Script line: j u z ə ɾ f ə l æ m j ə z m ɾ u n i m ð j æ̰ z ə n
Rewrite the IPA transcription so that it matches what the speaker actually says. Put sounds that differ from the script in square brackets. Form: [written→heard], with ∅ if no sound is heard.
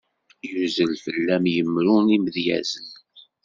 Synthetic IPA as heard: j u z ə [ɾ→l] f ə [l→lː] æ m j ə [z→∅] m ɾ u n i m ð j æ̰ z ə n